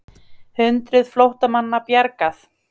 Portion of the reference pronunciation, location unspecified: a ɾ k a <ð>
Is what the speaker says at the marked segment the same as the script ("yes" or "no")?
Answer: no